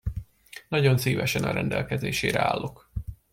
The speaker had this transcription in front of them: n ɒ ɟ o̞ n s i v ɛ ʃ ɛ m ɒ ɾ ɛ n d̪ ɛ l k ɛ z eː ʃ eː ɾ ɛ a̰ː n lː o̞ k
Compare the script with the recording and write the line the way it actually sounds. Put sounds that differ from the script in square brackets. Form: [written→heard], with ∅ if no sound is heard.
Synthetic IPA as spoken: n ɒ ɟ o̞ n s [i→iː] v ɛ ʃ ɛ [m→n] ɒ ɾ ɛ n d̪ ɛ l k ɛ z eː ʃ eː ɾ ɛ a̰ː [n→∅] lː o̞ k